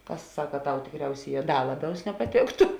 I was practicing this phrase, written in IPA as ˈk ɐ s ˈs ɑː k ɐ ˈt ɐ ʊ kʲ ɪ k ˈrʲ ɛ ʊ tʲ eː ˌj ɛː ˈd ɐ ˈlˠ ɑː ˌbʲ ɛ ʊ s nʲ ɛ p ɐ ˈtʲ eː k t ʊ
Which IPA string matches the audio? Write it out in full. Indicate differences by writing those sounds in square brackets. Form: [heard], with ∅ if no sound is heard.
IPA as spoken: ˈk ɐ s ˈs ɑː k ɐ ˈt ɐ ʊ [tʲ] ɪ k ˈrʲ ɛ ʊ [sʲ] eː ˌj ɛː ˈd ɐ ˈlˠ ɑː ˌbʲ ɛ ʊ s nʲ ɛ p ɐ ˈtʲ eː k t ʊ